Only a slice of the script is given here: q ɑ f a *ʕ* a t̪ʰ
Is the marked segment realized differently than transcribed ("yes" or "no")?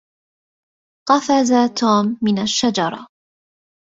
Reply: yes